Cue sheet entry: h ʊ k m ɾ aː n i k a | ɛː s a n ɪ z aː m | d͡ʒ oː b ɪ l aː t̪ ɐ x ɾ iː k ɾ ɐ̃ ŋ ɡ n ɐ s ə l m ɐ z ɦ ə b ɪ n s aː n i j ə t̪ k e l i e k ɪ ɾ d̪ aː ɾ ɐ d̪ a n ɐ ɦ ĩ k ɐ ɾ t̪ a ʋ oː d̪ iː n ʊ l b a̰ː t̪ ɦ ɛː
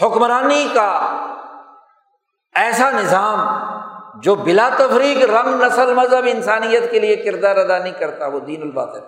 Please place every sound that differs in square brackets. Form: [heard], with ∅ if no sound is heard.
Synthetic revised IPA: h ʊ k m ɾ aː n i k a | ɛː s a n ɪ z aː m | d͡ʒ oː b ɪ l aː t̪ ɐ [f] ɾ iː k ɾ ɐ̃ ŋ ɡ n ɐ s ə l m ɐ z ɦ ə b ɪ n s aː n i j ə t̪ k e l i e k ɪ ɾ d̪ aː ɾ ɐ d̪ a n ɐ ɦ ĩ k ɐ ɾ t̪ a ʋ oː d̪ iː n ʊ l b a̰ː t̪ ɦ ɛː